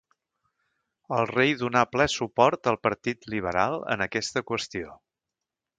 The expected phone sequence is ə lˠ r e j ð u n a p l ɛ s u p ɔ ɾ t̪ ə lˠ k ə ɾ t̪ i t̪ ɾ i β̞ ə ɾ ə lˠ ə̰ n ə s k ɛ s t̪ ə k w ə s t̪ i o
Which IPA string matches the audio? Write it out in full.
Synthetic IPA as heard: ə lˠ r e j ð u n a p l ɛ s u p ɔ ɾ t̪ ə lˠ p ə ɾ t̪ i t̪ l i β̞ ə ɾ a lˠ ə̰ n ə k ɛ s t̪ ə k w ə s t̪ i o

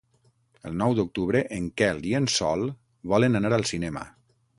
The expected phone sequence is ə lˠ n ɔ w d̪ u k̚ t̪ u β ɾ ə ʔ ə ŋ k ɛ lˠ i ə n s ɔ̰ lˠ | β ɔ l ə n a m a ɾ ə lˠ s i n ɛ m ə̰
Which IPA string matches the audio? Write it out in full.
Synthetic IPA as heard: ə lˠ n ɔ w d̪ u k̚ t̪ u β ɾ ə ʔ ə ŋ k ɛ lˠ i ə n s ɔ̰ lˠ | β ɔ l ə n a n a ɾ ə lˠ s i n ɛ m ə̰

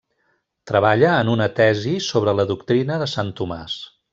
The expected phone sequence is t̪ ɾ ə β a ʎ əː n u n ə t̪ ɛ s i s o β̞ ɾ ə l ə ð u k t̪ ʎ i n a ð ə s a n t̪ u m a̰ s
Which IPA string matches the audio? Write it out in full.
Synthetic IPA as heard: t̪ ɾ ə β a ʎ əː n u n ə t̪ ɛ z i s o β̞ ɾ ə l ə ð u k t̪ ɾ i n ə ð ə s a n t̪ u m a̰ s

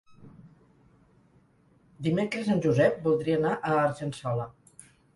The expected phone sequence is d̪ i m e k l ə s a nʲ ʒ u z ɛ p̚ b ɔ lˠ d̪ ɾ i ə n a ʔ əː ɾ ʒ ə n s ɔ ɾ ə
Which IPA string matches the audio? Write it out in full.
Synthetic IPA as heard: d̪ i m e k ɾ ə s a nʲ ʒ u z ɛ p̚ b u lˠ d̪ ɾ i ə n a ʔ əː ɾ ʒ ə n s ɔ l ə

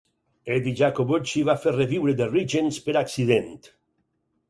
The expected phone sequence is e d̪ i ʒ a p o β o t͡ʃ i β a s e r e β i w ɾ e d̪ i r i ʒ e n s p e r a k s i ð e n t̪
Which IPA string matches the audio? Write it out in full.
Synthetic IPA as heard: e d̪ i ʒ a k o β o t͡ʃ i β a f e r e β i w ɾ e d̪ e r i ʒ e n s p e ɾ a k s i ð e n t̪

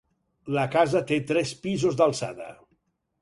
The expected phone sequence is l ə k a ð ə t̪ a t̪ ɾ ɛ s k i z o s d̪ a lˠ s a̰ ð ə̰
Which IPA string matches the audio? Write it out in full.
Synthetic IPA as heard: l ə k a z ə t̪ e t̪ ɾ ɛ s p i z o z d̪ a lˠ s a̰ ð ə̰

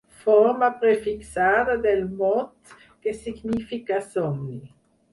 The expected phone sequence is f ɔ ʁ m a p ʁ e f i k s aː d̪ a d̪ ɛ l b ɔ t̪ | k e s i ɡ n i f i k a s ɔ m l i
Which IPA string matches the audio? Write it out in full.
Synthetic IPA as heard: f ɔ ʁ m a p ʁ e f i k s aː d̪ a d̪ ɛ l m ɔ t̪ | k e s i ɡ n i f i k a s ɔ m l i

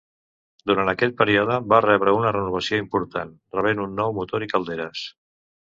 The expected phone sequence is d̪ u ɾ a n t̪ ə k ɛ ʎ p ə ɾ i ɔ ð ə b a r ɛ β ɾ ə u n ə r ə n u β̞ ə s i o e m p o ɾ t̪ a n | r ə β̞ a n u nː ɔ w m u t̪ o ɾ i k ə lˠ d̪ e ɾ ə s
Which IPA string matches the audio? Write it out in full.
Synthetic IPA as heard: d̪ u ɾ a n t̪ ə k ɛ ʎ p ə ɾ i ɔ ð ə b a r ɛ β ɾ ə u n ə r ə n u β̞ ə s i o i m p u ɾ t̪ a n | r ə β̞ e n u nː ɔ w m u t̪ o ɾ i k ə lˠ d̪ e ɾ ə s

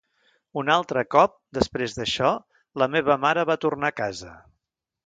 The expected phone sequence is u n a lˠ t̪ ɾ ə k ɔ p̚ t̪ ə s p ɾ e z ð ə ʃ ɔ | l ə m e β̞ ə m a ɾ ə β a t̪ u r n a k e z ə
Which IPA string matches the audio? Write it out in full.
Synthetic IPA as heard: u n a lˠ t̪ ɾ ə k ɔ p̚ d̪ ə s p ɾ e z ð ə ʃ ɔ | l ə m e β̞ ə m a ɾ ə β a t̪ u r n a k a z ə

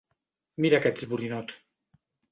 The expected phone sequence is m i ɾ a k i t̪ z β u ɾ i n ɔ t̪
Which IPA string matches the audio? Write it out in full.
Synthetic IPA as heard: m i ɾ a k ɛ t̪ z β u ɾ i n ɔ t̪

